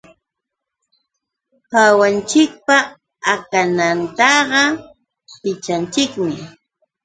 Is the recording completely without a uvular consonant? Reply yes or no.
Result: no